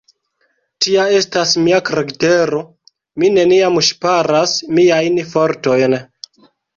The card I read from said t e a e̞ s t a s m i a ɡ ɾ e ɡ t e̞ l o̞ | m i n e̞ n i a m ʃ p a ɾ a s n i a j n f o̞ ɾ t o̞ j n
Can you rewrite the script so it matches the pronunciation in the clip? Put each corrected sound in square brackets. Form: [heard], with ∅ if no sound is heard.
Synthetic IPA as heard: t [i] a e̞ s t a s m i a [k] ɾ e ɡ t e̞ [ɾ] o̞ | m i n e̞ n i a m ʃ p a ɾ a s [m] i a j n f o̞ ɾ t o̞ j n